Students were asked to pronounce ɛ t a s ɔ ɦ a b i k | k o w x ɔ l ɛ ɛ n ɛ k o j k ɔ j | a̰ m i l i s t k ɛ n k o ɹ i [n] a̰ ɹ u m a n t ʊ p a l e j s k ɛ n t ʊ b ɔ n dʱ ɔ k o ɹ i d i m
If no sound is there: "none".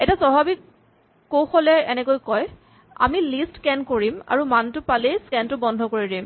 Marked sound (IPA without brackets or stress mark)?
m